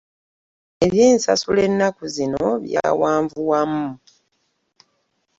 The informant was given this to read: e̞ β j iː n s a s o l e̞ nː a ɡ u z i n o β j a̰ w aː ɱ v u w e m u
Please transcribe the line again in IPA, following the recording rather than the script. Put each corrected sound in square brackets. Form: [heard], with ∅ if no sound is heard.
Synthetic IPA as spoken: e̞ β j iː n s a s [u] l e̞ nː a [k] u z i n o β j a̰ w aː ɱ v u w [a] m u